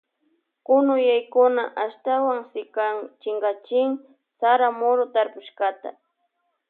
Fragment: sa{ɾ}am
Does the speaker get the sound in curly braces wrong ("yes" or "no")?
no